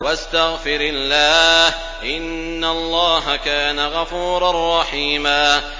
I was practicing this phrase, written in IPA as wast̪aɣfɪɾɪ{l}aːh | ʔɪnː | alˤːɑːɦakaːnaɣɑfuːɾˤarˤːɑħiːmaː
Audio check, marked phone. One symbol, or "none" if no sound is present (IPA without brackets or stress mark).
lː